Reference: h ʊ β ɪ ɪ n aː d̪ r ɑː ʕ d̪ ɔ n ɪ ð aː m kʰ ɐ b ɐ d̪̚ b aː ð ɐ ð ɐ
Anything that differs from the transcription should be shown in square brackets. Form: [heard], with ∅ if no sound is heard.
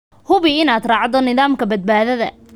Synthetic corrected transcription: h ʊ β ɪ ɪ n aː d̪ r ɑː ʕ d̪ ɔ n ɪ ð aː m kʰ ɐ b ɐ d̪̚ b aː ð ɐ ð ɐ